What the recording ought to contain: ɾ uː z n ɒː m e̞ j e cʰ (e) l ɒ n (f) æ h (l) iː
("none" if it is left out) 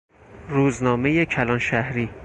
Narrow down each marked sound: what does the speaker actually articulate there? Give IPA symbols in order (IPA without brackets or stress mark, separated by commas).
æ, ʃ, ɾ